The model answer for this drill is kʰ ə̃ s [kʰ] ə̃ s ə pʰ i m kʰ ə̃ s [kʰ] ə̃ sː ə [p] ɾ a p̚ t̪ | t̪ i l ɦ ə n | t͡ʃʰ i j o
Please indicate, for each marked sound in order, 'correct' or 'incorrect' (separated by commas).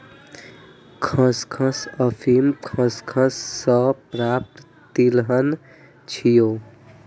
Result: correct, correct, correct